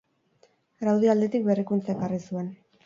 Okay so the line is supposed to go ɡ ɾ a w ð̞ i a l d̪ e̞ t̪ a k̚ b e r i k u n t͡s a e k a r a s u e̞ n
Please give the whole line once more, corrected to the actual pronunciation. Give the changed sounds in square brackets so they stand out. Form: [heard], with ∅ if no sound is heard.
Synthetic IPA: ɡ ɾ a w ð̞ i a l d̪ e̞ t̪ [i] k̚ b e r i k u n t͡s a e k a r [i] s u e̞ n